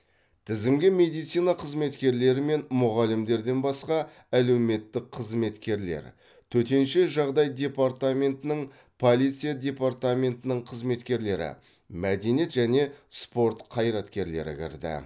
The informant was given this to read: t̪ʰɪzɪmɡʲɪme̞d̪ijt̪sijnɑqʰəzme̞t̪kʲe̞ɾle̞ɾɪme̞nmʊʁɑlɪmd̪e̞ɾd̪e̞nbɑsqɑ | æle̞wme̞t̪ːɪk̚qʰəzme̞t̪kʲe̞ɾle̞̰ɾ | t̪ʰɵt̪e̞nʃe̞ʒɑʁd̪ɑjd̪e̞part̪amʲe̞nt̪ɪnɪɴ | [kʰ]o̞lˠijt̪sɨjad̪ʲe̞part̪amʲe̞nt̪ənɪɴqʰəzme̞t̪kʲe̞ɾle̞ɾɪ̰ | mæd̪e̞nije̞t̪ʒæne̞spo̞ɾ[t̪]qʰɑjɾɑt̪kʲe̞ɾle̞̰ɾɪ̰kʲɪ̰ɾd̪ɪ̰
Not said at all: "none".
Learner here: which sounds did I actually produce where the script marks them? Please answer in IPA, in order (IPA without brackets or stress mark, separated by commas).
pʰ, t̪